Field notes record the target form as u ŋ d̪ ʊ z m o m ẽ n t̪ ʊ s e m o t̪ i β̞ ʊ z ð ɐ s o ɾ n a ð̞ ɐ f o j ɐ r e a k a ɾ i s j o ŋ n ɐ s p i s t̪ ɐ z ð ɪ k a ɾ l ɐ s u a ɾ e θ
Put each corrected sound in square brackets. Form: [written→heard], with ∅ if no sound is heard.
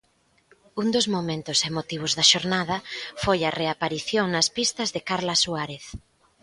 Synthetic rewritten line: u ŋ d̪ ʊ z m o m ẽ n t̪ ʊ s e m o t̪ i β̞ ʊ z ð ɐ [s→ʃ] o ɾ n a ð̞ ɐ f o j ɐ r e a [k→p] a ɾ i [s→θ] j o ŋ n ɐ s p i s t̪ ɐ z ð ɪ k a ɾ l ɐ s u a ɾ e θ